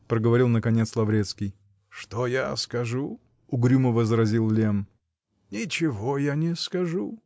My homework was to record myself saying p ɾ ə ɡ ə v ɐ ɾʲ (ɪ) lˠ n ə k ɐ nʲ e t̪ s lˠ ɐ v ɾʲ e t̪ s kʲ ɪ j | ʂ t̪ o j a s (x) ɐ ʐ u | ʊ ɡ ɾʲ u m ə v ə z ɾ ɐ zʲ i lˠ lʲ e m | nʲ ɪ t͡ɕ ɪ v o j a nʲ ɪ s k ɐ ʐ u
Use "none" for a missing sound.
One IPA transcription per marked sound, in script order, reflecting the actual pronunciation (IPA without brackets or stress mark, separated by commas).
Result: i, k